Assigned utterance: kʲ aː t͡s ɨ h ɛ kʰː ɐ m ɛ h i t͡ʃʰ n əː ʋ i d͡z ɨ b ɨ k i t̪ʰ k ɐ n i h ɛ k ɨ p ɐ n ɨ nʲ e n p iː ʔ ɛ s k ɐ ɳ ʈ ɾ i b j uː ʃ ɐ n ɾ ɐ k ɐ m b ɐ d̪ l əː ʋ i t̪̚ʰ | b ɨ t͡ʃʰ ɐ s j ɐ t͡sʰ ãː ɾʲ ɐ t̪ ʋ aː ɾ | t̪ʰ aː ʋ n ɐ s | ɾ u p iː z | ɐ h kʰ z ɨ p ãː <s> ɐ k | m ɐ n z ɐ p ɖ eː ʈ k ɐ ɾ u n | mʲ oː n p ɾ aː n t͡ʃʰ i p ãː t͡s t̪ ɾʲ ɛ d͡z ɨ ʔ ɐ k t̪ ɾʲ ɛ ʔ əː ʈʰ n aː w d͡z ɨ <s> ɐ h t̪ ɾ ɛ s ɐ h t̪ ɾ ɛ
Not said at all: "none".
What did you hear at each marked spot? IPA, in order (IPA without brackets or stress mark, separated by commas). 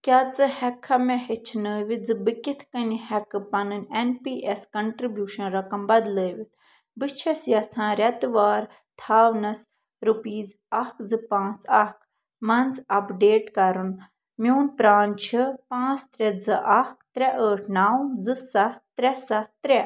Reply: t͡s, s